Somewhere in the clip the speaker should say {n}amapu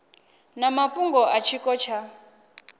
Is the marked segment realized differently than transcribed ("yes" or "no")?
no